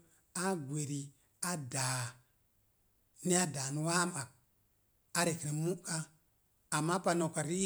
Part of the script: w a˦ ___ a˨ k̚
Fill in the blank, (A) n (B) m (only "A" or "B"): B